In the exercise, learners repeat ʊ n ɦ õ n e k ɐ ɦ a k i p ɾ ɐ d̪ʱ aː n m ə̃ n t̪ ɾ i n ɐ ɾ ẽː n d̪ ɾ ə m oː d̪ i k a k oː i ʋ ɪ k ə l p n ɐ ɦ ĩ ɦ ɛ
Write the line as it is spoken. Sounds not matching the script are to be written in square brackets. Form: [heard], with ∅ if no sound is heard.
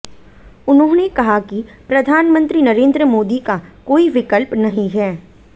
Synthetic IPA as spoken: ʊ n ɦ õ n e k ɐ ɦ a k i p ɾ ɐ d̪ʱ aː n m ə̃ n t̪ ɾ i n ɐ ɾ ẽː n d̪ ɾ ə m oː d̪ i k a k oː i ʋ ɪ k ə l p n ɐ ɦ ĩ ɦ [ɛː]